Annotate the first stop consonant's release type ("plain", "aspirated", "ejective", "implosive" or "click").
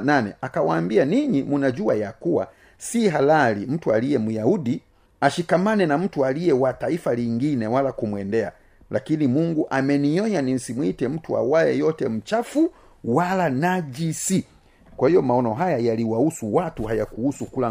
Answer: plain